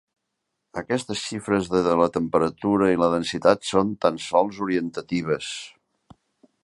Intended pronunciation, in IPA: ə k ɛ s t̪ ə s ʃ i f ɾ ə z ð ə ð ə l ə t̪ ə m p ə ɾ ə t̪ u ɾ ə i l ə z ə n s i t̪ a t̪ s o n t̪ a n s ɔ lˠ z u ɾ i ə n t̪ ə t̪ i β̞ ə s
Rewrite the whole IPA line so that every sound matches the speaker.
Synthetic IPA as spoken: ə k ɛ s t̪ ə s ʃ i f ɾ ə z ð ə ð ə l ə t̪ ə m p ə ɾ ə t̪ u ɾ ə i l ə ð ə n s i t̪ a t̪ s o n t̪ a n s ɔ lˠ z u ɾ i ə n t̪ ə t̪ i β̞ ə s